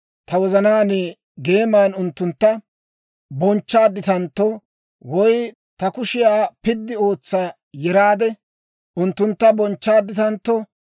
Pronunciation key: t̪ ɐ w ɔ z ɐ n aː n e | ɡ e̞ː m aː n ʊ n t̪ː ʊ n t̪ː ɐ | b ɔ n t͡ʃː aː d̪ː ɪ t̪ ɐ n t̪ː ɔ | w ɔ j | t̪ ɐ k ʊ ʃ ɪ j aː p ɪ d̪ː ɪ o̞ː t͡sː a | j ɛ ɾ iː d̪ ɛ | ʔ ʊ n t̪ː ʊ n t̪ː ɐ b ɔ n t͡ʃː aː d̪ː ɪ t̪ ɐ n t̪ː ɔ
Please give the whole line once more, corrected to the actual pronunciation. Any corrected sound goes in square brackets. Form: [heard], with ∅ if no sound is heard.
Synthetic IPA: t̪ ɐ w ɔ z ɐ n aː n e | ɡ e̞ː m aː n ʊ n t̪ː ʊ n t̪ː ɐ | b ɔ n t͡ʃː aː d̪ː ɪ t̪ ɐ n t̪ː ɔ | w ɔ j | t̪ ɐ k ʊ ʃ ɪ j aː p ɪ d̪ː ɪ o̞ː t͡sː a | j ɛ ɾ [aː] d̪ ɛ | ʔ ʊ n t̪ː ʊ n t̪ː ɐ b ɔ n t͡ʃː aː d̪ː ɪ t̪ ɐ n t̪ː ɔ